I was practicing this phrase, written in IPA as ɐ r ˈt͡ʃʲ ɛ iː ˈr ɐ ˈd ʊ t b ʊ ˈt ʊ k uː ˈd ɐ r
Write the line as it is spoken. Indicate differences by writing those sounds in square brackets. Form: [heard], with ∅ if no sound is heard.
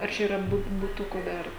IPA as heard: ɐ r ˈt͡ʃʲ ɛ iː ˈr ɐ [ˈb] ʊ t b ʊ ˈt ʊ k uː ˈd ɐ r

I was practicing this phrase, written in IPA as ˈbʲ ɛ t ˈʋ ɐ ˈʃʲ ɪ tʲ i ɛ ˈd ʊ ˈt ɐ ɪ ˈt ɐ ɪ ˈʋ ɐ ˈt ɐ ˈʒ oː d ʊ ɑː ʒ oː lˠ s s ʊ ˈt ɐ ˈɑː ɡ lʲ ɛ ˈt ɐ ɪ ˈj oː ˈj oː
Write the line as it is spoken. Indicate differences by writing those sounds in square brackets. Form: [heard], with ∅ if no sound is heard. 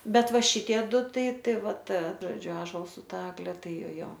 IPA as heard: ˈbʲ ɛ t ˈʋ ɐ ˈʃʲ ɪ tʲ i ɛ ˈd ʊ ˈt ɐ ɪ ˈt ɐ ɪ ˈʋ ɐ ˈt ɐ ˈʒ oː [d͡ʒʲ] ʊ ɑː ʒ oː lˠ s s ʊ ˈt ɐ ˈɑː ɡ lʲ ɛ ˈt ɐ ɪ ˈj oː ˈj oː

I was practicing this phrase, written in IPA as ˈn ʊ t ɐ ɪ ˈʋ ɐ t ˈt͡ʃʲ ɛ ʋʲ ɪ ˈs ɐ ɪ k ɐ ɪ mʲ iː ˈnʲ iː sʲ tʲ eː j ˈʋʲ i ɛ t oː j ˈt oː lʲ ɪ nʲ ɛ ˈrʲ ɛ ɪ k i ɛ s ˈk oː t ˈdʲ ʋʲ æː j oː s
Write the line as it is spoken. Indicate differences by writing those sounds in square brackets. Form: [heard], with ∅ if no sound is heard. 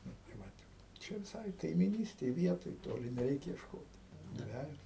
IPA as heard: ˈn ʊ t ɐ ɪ ˈʋ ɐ t ˈt͡ʃʲ ɛ ʋʲ ɪ ˈs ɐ ɪ k ɐ ɪ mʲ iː ˈnʲ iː sʲ tʲ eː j ˈʋʲ i ɛ t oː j ˈt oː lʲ ɪ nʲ ɛ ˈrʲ ɛ ɪ k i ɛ [ʃ] ˈk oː t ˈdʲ ʋʲ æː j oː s

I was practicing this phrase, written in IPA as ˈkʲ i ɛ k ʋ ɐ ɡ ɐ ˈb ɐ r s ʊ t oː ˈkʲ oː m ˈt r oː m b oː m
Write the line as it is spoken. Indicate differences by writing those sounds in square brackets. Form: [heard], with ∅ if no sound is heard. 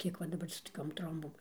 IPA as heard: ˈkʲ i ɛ k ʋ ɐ [d] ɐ ˈb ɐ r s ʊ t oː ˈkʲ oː m ˈt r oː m b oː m

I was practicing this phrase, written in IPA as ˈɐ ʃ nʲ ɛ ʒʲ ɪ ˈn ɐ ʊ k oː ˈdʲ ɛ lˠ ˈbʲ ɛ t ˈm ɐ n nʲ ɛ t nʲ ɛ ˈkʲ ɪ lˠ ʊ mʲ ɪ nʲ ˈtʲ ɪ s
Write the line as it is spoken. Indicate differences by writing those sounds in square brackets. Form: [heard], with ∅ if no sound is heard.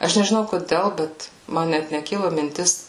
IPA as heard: ˈɐ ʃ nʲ ɛ ʒʲ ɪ ˈn ɐ ʊ k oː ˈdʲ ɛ lˠ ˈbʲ ɛ t ˈm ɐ n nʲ ɛ t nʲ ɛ ˈkʲ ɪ lˠ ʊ mʲ ɪ nʲ ˈtʲ ɪ s

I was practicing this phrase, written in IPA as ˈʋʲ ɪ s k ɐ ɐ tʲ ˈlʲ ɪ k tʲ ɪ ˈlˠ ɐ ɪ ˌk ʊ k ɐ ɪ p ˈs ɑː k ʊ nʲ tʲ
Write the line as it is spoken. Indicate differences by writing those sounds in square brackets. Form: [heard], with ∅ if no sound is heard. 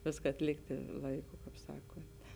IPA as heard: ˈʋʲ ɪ s k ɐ ɐ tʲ ˈlʲ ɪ k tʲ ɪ ˈlˠ ɐ ɪ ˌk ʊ k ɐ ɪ p ˈs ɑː k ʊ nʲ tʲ

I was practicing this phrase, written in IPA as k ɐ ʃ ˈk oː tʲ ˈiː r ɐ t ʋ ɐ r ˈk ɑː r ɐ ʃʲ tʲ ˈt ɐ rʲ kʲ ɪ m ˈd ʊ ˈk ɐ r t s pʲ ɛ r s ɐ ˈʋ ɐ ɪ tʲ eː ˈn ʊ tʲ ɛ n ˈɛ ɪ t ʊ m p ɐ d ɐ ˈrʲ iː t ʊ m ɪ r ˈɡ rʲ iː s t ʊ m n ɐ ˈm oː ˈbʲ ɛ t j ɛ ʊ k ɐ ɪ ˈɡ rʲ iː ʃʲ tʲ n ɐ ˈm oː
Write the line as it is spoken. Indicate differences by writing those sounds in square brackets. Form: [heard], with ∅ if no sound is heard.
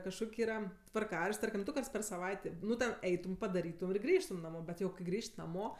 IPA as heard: k ɐ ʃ ˈk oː [kʲ] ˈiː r ɐ t ʋ ɐ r ˈk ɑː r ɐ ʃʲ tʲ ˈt ɐ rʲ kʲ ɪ m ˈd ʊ ˈk ɐ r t s pʲ ɛ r s ɐ ˈʋ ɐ ɪ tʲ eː ˈn ʊ tʲ ɛ n ˈɛ ɪ t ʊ m p ɐ d ɐ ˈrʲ iː t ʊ m ɪ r ˈɡ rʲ iː [ʃ] t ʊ m n ɐ ˈm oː ˈbʲ ɛ t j ɛ ʊ k ɐ ɪ ˈɡ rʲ iː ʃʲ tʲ n ɐ ˈm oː

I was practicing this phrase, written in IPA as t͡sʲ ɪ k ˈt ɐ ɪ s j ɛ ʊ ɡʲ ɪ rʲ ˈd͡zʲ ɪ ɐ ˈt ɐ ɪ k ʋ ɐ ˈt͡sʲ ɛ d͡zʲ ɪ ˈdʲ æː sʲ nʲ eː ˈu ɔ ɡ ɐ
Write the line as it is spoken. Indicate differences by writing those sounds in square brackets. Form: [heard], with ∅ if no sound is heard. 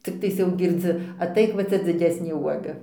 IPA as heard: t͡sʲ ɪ k ˈt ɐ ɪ s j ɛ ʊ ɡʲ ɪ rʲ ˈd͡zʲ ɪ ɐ ˈt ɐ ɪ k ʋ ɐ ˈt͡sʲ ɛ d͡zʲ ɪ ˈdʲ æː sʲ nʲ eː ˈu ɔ ɡ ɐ

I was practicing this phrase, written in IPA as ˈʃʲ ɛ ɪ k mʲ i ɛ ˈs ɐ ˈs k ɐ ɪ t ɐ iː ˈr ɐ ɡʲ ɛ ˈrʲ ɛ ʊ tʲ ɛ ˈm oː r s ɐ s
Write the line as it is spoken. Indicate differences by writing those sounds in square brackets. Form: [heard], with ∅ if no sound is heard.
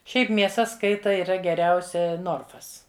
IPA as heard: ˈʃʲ ɛ ɪ [p] mʲ i ɛ ˈs ɐ ˈs k ɐ ɪ t ɐ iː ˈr ɐ ɡʲ ɛ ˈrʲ ɛ ʊ [sʲ] ɛ [ˈn] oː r [f] ɐ s

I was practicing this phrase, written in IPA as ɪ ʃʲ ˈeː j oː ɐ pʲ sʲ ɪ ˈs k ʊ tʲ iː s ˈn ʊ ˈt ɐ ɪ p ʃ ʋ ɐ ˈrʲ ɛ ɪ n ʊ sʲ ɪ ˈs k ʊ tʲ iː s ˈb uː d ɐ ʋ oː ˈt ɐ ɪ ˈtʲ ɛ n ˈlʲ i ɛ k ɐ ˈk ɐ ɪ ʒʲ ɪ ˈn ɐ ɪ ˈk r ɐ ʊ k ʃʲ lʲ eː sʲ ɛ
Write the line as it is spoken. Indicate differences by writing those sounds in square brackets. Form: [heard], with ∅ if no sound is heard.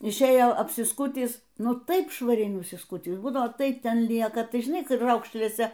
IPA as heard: ɪ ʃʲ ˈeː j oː ɐ pʲ sʲ ɪ ˈs k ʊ tʲ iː s ˈn ʊ ˈt ɐ ɪ p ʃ ʋ ɐ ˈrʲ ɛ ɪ n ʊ sʲ ɪ ˈs k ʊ tʲ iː s ˈb uː d ɐ ʋ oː ˈt ɐ ɪ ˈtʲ ɛ n ˈlʲ i ɛ k ɐ [ˈt] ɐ ɪ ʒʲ ɪ ˈn ɐ ɪ ˈk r ɐ ʊ k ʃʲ lʲ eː sʲ ɛ

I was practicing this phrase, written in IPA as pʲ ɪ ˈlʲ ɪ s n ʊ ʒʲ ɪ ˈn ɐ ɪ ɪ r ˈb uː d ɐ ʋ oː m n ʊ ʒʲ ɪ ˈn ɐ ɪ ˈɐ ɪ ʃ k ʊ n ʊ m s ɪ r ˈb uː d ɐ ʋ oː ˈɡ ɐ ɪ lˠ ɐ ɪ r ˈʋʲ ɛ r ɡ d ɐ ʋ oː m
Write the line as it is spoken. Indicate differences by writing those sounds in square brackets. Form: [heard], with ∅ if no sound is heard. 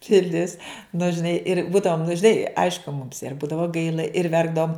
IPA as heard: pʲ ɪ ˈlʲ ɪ s n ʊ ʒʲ ɪ ˈn ɐ ɪ ɪ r ˈb uː d ɐ ʋ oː m n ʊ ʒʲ ɪ ˈn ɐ ɪ ˈɐ ɪ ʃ k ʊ [m] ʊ m s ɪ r ˈb uː d ɐ ʋ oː ˈɡ ɐ ɪ lˠ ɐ ɪ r ˈʋʲ ɛ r ɡ d ɐ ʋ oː m

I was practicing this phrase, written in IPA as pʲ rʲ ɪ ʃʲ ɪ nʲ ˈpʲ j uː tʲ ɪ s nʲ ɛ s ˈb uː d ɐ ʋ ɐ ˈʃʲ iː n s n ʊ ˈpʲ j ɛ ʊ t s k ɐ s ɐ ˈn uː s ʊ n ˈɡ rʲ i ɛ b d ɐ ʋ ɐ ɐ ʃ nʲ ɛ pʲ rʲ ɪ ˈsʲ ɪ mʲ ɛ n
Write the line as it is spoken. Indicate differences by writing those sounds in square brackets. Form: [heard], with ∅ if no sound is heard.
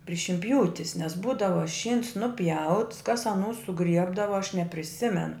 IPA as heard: pʲ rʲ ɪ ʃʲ ɪ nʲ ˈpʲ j uː tʲ ɪ s nʲ ɛ s ˈb uː d ɐ ʋ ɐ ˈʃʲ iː n s n ʊ ˈpʲ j ɛ ʊ t s k ɐ s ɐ ˈn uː s ʊ [∅] ˈɡ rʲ i ɛ b d ɐ ʋ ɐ ɐ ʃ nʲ ɛ pʲ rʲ ɪ ˈsʲ ɪ mʲ ɛ n

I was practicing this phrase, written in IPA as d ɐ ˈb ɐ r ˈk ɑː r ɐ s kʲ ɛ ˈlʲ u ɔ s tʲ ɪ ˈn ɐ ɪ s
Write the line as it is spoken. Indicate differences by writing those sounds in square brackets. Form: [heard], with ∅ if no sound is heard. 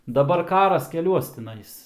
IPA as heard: d ɐ ˈb ɐ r ˈk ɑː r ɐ s kʲ ɛ ˈlʲ u ɔ s tʲ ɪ ˈn ɐ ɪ s

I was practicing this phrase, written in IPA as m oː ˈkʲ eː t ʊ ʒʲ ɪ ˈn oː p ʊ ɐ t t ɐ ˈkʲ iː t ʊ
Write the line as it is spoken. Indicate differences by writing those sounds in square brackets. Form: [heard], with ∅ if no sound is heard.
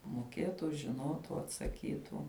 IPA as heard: m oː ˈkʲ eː t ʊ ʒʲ ɪ ˈn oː [t] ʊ ɐ t [s] ɐ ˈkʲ iː t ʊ

